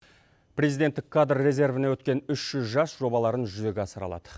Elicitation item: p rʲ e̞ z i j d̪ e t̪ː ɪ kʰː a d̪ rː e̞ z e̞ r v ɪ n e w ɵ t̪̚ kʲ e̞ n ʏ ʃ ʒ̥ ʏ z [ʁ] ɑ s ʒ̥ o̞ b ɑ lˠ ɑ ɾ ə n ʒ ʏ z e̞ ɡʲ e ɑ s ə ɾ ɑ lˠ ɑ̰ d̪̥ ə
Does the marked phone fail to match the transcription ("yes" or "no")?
yes